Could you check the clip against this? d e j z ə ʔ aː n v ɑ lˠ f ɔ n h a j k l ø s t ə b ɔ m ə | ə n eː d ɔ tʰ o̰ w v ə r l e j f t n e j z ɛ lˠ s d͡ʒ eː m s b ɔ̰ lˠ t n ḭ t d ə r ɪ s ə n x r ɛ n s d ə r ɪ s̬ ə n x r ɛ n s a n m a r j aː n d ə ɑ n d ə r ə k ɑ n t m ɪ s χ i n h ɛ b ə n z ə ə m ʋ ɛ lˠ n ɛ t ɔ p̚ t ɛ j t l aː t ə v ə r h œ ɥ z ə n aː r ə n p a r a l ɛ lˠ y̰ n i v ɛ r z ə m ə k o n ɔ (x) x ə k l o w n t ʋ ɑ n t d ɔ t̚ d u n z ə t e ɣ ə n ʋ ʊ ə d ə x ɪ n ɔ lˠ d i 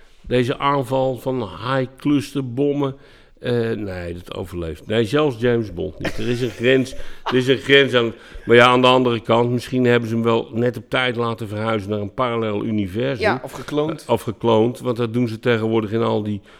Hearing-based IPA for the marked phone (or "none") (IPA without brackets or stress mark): f